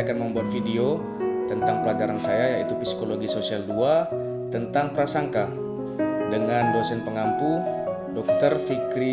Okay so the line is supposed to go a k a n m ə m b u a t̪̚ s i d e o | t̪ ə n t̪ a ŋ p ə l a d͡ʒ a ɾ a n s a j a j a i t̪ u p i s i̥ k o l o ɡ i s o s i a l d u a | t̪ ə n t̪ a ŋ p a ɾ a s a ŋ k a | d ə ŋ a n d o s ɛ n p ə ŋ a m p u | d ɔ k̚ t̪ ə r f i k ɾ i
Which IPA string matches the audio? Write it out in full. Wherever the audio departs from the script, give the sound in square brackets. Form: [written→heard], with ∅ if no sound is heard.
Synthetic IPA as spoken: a k a n m ə m b u a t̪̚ [s→f] i d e o | t̪ ə n t̪ a ŋ p ə l a d͡ʒ a ɾ a n s a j a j a i t̪ u p i s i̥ k o l o ɡ i s o s i a l d u a | t̪ ə n t̪ a ŋ p [a→ə] ɾ a s a ŋ k a | d ə ŋ a n d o s ɛ n p ə ŋ a m p u | d ɔ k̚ t̪ ə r f i k ɾ i